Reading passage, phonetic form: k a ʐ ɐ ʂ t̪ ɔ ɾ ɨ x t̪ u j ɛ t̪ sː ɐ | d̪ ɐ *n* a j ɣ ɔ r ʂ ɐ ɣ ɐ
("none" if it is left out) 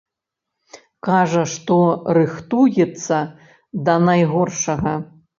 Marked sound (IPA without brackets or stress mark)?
n